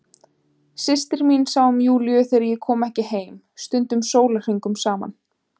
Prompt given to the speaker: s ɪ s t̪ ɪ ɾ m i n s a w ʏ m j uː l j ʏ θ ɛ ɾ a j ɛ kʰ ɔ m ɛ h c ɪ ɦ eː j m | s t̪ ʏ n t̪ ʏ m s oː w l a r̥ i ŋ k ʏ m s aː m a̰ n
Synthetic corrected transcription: s ɪ s t̪ ɪ ɾ m i n s a w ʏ m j uː l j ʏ θ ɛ ɾ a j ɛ kʰ ɔː m ɛ h c ɪ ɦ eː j m | s t̪ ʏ n t̪ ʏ m s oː w l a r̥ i ŋ k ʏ m s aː m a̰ n